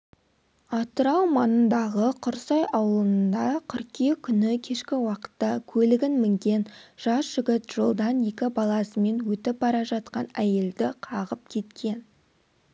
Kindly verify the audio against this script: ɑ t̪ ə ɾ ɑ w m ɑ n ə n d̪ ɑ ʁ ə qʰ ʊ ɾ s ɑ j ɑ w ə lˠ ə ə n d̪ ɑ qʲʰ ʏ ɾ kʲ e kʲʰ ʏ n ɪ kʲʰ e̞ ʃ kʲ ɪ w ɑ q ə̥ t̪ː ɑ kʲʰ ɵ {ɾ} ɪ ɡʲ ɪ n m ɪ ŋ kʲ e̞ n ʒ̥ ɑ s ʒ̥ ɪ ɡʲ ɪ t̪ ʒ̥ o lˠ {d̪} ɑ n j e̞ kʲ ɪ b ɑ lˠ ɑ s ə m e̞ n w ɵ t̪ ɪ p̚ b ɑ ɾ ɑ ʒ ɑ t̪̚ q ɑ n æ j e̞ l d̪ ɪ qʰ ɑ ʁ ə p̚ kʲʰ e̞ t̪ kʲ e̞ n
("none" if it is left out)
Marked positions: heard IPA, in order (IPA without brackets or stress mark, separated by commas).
l, d̪